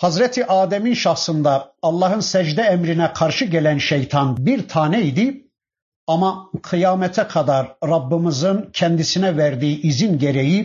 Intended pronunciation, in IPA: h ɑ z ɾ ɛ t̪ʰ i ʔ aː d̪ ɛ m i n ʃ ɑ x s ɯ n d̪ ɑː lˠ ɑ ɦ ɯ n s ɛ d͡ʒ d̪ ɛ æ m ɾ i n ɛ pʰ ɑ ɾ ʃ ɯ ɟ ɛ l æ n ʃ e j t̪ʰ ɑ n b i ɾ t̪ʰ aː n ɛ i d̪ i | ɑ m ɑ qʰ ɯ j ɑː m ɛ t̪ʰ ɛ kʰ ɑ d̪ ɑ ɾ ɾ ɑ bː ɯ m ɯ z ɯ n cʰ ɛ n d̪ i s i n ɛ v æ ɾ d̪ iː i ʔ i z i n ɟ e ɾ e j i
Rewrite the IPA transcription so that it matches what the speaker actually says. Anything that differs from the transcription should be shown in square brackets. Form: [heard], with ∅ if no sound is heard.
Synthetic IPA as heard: h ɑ z ɾ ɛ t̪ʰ i ʔ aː d̪ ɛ m i n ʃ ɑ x s ɯ n d̪ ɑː [lˠː] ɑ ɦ ɯ n s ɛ d͡ʒ d̪ ɛ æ m ɾ i n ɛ [kʰ] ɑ ɾ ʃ ɯ ɟ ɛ l æ n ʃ e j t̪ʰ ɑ n b i ɾ t̪ʰ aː n ɛ i d̪ i | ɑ m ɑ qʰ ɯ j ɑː m ɛ t̪ʰ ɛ kʰ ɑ d̪ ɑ ɾ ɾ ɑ bː ɯ m ɯ z ɯ n cʰ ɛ n d̪ i s i n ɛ v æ ɾ d̪ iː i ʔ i z i n ɟ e ɾ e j i